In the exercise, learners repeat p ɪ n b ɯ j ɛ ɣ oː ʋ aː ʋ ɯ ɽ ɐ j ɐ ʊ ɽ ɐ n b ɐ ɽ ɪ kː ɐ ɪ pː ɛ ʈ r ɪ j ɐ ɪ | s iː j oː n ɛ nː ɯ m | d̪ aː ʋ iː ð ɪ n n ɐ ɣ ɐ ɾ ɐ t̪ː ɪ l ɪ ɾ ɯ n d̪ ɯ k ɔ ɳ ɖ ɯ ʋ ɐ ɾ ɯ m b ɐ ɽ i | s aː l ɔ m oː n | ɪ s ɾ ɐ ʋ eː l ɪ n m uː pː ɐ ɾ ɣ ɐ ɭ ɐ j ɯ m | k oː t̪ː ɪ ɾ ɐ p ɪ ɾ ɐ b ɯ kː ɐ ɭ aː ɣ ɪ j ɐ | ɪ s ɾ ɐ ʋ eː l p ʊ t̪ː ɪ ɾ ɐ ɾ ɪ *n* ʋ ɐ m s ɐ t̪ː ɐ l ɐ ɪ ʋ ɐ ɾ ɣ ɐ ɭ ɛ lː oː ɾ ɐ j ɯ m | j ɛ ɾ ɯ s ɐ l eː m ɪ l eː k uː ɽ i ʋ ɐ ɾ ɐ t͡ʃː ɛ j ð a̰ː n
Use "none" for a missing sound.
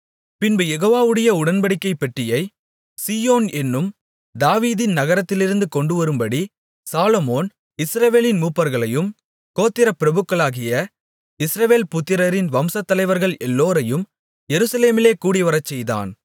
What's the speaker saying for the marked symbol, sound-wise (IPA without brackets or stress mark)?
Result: n